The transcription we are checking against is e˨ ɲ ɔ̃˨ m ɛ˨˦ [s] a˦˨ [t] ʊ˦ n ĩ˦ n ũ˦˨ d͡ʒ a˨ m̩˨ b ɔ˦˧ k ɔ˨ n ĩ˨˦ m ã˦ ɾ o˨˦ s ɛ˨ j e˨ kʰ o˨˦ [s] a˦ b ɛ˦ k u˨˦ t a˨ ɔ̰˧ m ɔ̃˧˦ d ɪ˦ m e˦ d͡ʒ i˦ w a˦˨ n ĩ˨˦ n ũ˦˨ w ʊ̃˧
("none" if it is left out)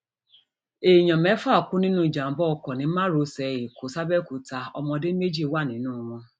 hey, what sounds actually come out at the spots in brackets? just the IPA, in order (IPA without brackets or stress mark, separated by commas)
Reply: f, k, s